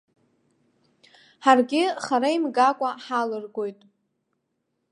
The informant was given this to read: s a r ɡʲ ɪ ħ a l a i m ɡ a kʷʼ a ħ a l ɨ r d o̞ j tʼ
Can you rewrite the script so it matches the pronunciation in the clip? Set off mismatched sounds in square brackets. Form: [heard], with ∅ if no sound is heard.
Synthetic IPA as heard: [ħ] a r ɡʲ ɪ [χ] a [ɾ] a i m ɡ a kʷʼ a ħ a l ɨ r [ɡ] o̞ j tʼ